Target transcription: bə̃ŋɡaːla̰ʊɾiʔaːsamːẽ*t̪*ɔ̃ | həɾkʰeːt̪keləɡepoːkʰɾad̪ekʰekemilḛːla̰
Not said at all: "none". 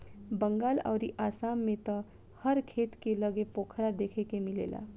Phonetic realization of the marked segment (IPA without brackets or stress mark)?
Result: t̪